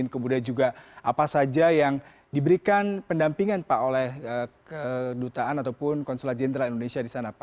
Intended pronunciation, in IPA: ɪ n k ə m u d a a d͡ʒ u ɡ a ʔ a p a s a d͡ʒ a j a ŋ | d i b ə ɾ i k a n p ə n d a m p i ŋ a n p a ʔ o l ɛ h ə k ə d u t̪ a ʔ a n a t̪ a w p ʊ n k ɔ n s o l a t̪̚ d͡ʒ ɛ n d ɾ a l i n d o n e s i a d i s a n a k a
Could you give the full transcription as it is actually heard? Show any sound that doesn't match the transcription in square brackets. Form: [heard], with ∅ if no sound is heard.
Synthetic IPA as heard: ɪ n k ə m u d a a d͡ʒ u ɡ a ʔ a p a s a d͡ʒ a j a ŋ | d i b ə ɾ i k a n p ə n d a m p i ŋ a n p a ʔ o l ɛ h ə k ə d u t̪ a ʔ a n a t̪ a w p ʊ n k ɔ n s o l a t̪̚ d͡ʒ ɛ n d ɾ a l i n d o n e s i a d i s a n a [p] a